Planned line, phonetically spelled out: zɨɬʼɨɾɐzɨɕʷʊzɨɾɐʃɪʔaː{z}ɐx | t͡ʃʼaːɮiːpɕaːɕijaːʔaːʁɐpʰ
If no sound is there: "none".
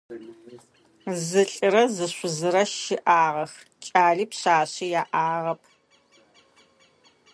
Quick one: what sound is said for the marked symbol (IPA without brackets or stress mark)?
ʁ